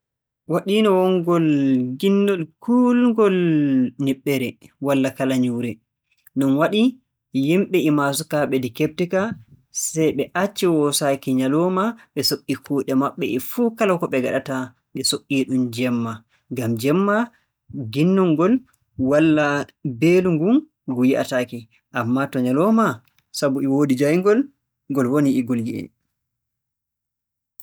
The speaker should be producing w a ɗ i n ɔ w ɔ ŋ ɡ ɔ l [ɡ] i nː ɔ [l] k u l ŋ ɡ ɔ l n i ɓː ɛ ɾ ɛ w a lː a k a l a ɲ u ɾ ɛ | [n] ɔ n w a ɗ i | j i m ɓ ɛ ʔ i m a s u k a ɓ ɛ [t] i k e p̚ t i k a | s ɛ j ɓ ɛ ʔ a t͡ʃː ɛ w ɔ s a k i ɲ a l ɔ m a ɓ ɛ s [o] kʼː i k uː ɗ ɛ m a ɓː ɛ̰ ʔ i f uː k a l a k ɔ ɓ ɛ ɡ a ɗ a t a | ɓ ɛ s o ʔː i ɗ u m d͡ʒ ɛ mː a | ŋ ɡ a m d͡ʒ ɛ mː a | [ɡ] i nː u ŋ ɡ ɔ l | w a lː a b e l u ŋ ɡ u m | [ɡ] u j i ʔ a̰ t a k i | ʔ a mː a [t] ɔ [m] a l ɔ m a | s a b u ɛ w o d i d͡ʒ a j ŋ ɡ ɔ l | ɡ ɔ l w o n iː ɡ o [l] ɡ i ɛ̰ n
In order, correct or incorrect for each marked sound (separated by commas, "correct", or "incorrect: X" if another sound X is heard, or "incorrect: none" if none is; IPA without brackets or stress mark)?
correct, correct, correct, incorrect: d, correct, correct, correct, correct, incorrect: ɲ, correct